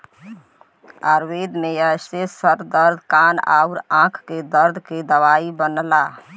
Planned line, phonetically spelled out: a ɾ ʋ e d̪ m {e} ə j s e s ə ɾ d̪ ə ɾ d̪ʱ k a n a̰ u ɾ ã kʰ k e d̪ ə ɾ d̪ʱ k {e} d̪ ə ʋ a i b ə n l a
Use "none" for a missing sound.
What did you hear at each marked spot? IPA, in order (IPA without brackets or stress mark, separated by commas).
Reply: e, e